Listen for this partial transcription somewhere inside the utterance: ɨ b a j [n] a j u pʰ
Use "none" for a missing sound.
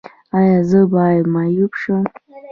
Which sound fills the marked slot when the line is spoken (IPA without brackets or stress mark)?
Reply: m